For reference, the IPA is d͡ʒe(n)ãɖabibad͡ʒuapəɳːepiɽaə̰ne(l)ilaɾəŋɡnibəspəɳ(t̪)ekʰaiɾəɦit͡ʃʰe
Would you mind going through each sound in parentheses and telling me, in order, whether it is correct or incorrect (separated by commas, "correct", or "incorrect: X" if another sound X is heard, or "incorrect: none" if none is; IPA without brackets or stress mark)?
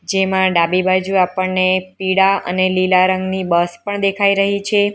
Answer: incorrect: m, correct, incorrect: d̪